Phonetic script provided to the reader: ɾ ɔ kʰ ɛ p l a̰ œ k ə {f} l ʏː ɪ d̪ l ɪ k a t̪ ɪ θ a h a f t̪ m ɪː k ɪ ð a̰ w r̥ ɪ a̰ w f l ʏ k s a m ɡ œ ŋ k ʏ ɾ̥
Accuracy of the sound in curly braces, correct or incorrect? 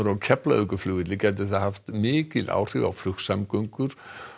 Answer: correct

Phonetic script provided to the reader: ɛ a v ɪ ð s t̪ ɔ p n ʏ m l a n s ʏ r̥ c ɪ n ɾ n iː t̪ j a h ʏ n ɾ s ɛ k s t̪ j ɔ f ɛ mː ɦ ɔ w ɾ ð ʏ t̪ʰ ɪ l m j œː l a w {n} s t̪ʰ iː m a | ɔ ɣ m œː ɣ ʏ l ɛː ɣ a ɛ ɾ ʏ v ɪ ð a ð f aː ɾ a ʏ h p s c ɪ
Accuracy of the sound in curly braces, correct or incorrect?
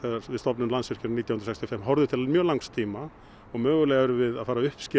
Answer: incorrect: ŋ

